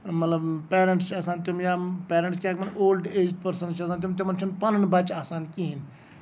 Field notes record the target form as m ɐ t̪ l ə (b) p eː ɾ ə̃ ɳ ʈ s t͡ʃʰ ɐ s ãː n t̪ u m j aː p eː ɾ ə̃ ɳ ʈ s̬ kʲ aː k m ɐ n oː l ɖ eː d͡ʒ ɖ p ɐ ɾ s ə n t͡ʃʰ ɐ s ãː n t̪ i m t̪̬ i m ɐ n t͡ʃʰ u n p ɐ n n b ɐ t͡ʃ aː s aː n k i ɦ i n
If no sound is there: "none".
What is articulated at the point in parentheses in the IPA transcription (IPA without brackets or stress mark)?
b